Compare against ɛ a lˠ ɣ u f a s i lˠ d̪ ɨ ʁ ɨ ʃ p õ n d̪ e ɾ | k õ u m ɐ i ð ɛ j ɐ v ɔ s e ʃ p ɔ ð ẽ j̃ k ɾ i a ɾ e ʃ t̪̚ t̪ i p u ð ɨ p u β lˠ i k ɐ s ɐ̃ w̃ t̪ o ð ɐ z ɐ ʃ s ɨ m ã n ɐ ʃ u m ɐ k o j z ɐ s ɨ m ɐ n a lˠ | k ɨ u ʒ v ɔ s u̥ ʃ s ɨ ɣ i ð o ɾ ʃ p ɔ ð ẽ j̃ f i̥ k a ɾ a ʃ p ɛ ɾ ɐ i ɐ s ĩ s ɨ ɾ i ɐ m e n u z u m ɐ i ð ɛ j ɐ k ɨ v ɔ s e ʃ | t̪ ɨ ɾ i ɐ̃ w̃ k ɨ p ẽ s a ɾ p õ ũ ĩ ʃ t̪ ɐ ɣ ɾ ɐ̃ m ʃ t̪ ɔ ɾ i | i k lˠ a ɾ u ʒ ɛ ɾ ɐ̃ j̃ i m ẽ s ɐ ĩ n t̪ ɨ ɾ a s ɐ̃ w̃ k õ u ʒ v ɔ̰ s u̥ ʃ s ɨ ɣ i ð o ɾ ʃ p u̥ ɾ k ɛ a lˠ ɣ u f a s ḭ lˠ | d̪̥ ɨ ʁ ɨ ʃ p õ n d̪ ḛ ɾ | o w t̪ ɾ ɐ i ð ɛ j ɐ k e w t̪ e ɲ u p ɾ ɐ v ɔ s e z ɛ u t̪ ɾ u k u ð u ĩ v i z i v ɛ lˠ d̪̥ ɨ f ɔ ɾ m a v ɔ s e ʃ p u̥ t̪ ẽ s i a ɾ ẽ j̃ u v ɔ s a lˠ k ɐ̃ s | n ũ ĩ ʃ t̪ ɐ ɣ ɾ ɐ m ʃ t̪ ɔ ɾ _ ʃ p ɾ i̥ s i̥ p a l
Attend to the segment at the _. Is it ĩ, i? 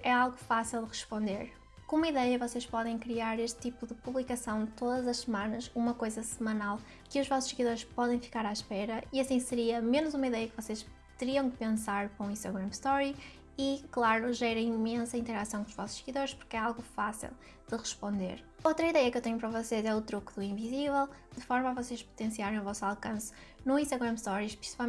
i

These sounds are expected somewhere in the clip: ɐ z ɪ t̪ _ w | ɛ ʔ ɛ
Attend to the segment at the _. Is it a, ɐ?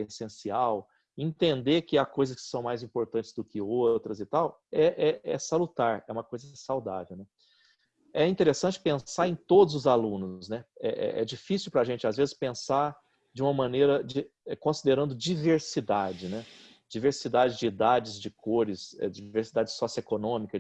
a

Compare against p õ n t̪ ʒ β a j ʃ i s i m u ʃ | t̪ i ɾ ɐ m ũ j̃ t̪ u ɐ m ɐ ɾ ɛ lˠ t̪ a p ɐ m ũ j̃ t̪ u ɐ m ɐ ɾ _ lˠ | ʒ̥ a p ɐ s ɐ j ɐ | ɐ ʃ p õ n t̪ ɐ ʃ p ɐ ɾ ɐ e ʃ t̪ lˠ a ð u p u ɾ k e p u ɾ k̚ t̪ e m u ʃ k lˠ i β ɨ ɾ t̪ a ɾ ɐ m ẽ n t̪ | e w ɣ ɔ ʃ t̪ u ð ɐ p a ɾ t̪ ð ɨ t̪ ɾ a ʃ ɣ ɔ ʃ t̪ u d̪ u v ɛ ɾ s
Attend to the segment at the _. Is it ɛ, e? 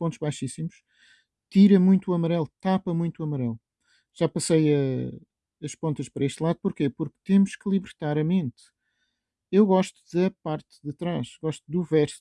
ɛ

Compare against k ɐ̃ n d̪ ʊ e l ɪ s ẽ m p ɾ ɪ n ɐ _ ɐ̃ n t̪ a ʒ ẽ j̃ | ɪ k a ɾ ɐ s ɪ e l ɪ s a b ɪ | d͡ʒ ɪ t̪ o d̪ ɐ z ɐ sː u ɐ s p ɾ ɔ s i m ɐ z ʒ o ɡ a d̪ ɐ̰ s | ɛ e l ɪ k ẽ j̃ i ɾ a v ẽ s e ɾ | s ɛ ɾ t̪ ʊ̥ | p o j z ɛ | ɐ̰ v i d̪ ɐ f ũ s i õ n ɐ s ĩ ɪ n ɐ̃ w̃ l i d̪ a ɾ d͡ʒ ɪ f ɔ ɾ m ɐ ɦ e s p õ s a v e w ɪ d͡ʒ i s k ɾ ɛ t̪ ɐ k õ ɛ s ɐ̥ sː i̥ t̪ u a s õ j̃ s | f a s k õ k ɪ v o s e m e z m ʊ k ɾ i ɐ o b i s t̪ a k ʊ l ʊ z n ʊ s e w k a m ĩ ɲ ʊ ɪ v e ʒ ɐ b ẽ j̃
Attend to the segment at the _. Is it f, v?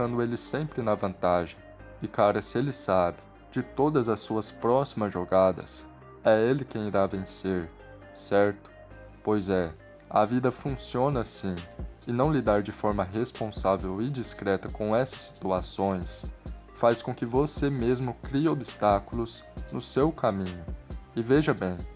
v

